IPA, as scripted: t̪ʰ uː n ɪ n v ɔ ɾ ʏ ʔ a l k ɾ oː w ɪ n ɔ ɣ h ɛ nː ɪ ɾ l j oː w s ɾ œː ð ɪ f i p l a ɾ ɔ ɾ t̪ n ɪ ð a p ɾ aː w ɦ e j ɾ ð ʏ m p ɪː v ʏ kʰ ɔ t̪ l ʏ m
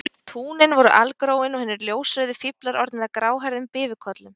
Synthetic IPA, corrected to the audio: t̪ʰ uː n ɪ n v ɔ ɾ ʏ ʔ a l k ɾ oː w ɪ n ɔ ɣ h ɛ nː ɪ ɾ l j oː w s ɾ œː ð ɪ f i p l a ɾ ɔ ɾ t̪ n ɪ ð a k ɾ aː w ɦ a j ɾ ð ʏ m p ɪː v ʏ kʰ ɔ t̪ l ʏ m